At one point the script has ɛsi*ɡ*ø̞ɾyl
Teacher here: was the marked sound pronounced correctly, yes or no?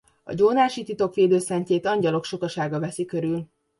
no